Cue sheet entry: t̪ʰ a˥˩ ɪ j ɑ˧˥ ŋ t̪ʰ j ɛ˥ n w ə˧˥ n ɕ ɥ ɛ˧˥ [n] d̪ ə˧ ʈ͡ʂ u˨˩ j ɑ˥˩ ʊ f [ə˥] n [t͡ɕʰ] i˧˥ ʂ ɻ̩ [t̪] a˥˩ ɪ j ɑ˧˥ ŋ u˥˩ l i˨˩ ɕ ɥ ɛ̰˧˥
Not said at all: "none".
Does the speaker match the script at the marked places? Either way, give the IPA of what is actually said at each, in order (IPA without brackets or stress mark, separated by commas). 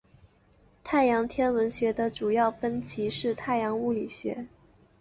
none, ə˥, t͡ɕʰ, t̪ʰ